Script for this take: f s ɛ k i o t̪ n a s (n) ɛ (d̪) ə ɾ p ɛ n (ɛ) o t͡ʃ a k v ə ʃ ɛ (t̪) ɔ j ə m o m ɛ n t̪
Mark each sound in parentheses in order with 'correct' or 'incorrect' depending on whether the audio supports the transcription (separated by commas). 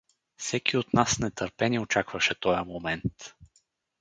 correct, incorrect, incorrect, correct